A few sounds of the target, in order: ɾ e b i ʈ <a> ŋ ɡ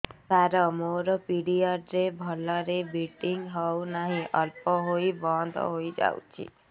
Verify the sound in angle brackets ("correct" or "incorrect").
incorrect